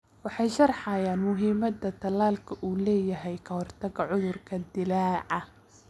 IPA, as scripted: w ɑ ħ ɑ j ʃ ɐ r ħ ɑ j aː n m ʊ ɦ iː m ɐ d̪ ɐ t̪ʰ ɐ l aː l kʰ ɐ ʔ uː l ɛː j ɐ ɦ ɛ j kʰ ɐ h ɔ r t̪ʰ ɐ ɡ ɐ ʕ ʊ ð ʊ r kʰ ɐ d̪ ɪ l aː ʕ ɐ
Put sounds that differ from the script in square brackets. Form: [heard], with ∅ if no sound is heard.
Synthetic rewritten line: w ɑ ħ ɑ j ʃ ɐ r ħ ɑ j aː n m ʊ ɦ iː m ɐ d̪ ɐ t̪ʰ ɐ l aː l kʰ ɐ ʔ uː l ɛː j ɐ ɦ ɛ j kʰ ɐ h ɔ r t̪ʰ ɐ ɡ ɐ ʕ ʊ ð ʊ r kʰ ɐ d̪ ɪ l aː ʕ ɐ